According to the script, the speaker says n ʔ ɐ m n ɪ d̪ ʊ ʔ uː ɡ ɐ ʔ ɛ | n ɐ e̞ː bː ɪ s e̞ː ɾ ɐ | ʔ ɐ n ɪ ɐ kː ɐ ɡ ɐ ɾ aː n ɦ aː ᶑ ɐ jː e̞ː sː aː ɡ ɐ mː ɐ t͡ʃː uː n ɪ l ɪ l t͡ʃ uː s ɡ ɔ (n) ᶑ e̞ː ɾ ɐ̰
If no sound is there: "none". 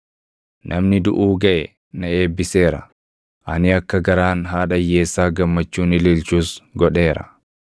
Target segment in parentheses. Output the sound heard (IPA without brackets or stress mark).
none